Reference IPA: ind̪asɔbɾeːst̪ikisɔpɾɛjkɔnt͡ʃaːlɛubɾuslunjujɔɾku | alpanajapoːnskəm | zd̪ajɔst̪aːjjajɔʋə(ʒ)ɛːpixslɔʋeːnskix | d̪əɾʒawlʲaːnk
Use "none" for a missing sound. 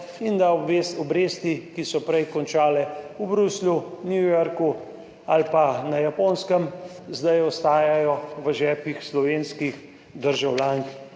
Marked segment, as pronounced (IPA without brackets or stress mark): ʒ